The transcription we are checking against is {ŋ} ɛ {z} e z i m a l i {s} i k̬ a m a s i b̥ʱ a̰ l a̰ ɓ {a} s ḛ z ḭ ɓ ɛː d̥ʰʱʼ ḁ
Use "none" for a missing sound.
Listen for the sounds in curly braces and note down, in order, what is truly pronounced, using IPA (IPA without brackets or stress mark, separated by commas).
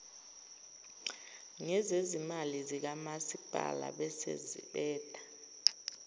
ŋ, z, z, ɛ